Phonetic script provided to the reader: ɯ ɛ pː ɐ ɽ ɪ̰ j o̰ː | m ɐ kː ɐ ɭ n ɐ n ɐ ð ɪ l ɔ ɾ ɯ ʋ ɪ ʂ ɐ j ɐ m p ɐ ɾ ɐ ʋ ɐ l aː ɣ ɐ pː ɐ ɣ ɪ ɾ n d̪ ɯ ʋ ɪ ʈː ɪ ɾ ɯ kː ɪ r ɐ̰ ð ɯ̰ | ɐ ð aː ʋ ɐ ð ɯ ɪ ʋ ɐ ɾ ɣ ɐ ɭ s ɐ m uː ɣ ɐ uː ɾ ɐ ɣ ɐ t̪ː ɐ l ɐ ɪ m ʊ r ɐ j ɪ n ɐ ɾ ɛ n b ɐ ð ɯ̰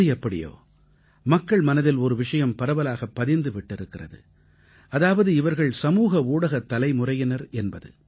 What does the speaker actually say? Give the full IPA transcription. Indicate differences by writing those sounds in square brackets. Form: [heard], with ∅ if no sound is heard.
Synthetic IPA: ɯ ɛ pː ɐ ɽ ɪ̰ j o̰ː | m ɐ kː ɐ ɭ [m] ɐ n ɐ ð ɪ l ɔ ɾ ɯ ʋ ɪ ʂ ɐ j ɐ m p ɐ ɾ ɐ ʋ ɐ l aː ɣ ɐ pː ɐ [ð] ɪ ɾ n d̪ ɯ ʋ ɪ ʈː ɪ ɾ ɯ kː ɪ r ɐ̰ ð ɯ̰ | ɐ ð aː ʋ ɐ ð ɯ ɪ ʋ ɐ ɾ ɣ ɐ ɭ s ɐ m uː ɣ ɐ uː [ɽ] ɐ ɣ ɐ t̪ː ɐ l ɐ ɪ m ʊ r ɐ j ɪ n ɐ ɾ ɛ n b ɐ ð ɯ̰

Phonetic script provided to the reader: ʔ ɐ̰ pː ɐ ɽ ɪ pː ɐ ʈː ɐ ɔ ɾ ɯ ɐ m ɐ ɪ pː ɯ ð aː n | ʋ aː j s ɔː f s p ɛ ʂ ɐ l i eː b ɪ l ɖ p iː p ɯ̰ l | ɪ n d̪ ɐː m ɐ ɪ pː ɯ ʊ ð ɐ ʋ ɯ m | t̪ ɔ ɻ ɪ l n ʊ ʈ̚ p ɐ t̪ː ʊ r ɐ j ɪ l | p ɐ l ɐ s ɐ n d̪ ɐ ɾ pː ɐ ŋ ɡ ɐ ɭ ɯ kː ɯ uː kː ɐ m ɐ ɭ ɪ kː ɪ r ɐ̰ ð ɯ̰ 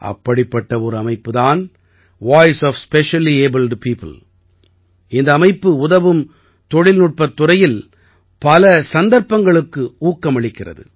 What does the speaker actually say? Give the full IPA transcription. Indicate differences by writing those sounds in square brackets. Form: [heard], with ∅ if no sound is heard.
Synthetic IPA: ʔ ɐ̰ pː ɐ ɽ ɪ pː ɐ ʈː ɐ ɔ ɾ ɯ ɐ m ɐ ɪ pː ɯ ð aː n | ʋ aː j s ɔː f s p ɛ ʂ ɐ l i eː b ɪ l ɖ p iː p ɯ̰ l | ɪ n d̪ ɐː m ɐ ɪ pː ɯ ʊ ð ɐ ʋ ɯ m | t̪ ɔ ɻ ɪ l n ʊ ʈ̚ p ɐ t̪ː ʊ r ɐ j ɪ l | p ɐ l ɐ s ɐ n d̪ ɐ ɾ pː ɐ ŋ ɡ ɐ ɭ ɯ kː ɯ uː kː ɐ m ɐ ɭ ɪ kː ɪ r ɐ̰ ð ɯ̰

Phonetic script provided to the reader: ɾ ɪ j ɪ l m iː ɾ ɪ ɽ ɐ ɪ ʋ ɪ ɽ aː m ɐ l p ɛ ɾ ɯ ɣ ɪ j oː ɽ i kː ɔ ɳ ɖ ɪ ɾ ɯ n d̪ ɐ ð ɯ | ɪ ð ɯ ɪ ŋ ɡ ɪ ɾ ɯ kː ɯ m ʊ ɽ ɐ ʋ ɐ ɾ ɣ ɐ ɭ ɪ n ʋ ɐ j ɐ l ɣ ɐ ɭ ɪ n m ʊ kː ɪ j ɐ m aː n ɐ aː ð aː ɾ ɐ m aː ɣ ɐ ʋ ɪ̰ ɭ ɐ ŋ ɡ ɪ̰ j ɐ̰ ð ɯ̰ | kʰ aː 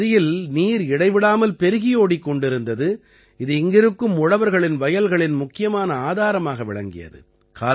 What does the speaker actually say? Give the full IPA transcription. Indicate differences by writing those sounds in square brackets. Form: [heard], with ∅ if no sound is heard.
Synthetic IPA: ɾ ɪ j ɪ l [n] iː ɾ ɪ ɽ ɐ ɪ ʋ ɪ ɽ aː m ɐ l p ɛ ɾ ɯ ɣ ɪ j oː ɽ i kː ɔ ɳ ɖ ɪ ɾ ɯ n d̪ ɐ ð ɯ | ɪ ð ɯ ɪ ŋ ɡ ɪ ɾ ɯ kː ɯ m ʊ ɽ ɐ ʋ ɐ ɾ ɣ ɐ ɭ ɪ n ʋ ɐ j ɐ l ɣ ɐ ɭ ɪ n m ʊ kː ɪ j ɐ m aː n ɐ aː ð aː ɾ ɐ m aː ɣ ɐ ʋ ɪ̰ ɭ ɐ ŋ ɡ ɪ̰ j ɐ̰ ð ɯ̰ | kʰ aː

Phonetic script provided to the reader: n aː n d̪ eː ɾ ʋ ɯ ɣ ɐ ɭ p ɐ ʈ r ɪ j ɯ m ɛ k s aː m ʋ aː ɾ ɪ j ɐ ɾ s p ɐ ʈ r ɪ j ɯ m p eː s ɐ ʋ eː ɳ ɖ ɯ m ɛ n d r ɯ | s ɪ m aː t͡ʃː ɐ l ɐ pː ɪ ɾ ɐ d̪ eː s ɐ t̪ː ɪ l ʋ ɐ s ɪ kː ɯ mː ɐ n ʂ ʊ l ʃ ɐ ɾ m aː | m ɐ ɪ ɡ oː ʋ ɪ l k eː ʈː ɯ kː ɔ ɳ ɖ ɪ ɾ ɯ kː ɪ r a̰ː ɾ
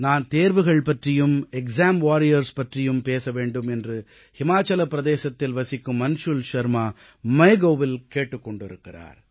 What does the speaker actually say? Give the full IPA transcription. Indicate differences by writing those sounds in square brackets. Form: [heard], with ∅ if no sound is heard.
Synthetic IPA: n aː n [t̪] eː ɾ ʋ ɯ ɣ ɐ ɭ p ɐ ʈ r ɪ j ɯ m ɛ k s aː m ʋ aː ɾ ɪ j ɐ ɾ s p ɐ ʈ r ɪ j ɯ m p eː s ɐ ʋ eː ɳ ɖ ɯ m ɛ n d r ɯ | [h] ɪ m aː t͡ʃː ɐ l ɐ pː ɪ ɾ ɐ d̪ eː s ɐ t̪ː ɪ l ʋ ɐ s ɪ kː ɯ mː ɐ n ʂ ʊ l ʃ ɐ ɾ m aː | m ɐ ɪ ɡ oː ʋ ɪ l k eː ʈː ɯ kː ɔ ɳ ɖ ɪ ɾ ɯ kː ɪ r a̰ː ɾ

